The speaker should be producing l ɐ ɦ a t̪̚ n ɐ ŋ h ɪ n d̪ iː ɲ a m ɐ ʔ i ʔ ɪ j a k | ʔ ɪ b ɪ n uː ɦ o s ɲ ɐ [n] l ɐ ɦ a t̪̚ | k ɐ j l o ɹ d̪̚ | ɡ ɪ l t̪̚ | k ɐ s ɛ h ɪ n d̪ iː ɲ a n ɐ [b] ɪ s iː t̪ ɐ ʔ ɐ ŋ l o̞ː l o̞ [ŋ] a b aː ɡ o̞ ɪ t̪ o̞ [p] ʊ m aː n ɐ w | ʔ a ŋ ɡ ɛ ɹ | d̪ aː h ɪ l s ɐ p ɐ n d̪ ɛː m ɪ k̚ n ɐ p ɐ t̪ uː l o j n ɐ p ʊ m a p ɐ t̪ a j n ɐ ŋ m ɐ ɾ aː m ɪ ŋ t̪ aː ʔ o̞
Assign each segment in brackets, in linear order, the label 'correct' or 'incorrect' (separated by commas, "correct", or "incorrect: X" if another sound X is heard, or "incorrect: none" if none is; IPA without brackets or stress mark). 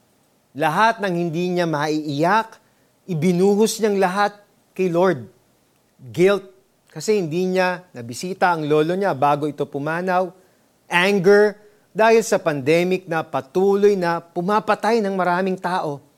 incorrect: ŋ, correct, incorrect: ɲ, correct